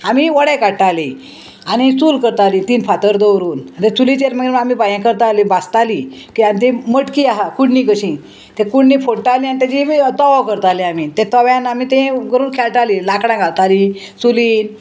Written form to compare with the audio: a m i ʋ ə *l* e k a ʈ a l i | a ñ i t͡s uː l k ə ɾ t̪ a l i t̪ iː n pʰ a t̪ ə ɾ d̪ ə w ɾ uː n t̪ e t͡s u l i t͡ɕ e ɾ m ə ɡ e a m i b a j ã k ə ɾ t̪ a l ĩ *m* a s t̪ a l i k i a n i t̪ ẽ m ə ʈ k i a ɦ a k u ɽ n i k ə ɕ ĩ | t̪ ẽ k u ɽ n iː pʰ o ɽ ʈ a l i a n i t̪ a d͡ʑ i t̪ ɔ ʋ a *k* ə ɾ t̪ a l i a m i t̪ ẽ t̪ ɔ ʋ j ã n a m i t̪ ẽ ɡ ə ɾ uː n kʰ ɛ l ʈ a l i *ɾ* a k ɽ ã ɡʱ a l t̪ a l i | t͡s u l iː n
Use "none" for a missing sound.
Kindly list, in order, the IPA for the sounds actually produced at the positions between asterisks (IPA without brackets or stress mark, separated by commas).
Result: ɽ, b, k, l